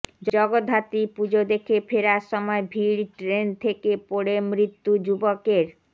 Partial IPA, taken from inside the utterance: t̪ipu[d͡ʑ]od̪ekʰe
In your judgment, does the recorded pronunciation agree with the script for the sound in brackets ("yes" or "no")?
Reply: yes